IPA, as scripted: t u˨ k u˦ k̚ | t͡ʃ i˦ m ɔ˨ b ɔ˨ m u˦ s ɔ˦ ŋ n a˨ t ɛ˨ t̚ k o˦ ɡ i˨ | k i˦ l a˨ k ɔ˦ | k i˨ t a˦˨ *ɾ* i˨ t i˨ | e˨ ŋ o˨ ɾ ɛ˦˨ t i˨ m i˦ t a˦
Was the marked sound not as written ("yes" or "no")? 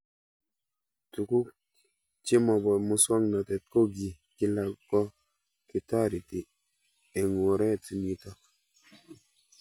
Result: no